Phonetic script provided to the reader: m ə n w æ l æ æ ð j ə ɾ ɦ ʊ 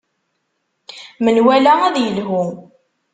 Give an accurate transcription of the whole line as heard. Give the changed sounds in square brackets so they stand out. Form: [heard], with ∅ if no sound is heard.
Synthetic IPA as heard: m ə n w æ l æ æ ð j ə [l] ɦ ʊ